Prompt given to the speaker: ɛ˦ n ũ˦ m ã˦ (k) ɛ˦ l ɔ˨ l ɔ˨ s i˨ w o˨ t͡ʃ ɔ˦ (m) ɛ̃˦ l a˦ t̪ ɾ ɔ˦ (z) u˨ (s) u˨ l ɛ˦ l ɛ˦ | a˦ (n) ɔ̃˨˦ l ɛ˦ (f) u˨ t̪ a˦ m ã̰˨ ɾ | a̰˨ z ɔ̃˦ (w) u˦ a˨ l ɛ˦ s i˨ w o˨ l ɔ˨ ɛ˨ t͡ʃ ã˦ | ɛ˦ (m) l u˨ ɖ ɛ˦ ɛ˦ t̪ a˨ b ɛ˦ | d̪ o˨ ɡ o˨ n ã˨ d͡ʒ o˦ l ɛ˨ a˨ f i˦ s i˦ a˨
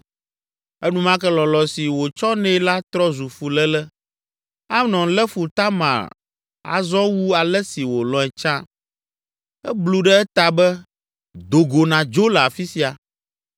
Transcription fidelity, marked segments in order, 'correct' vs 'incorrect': correct, incorrect: n, correct, incorrect: f, correct, correct, correct, incorrect: b

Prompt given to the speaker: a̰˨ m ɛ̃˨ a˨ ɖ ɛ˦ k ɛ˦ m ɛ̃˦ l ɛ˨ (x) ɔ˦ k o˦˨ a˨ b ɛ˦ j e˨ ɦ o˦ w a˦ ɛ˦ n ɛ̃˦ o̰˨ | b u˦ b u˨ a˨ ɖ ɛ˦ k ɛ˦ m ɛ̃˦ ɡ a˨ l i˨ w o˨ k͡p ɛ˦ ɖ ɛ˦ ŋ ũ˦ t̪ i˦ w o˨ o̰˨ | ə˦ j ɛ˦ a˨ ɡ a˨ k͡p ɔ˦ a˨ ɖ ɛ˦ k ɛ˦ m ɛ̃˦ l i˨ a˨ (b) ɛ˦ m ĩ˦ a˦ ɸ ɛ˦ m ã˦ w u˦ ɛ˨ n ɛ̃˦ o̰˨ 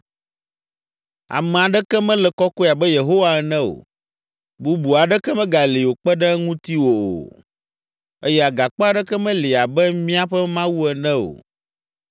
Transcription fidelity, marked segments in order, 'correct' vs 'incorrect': incorrect: k, correct

